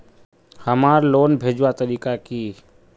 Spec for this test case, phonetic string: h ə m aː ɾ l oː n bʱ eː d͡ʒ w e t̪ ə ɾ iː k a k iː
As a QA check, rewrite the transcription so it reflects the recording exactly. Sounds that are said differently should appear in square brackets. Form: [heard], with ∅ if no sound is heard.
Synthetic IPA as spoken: h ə m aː ɾ l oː n bʱ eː d͡ʒ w [a] t̪ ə ɾ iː k a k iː